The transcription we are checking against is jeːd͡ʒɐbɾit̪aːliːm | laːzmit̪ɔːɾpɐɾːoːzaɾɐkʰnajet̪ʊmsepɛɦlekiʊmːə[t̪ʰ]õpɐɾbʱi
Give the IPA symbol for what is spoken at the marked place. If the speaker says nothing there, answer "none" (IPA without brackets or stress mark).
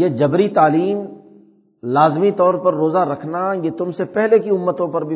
t̪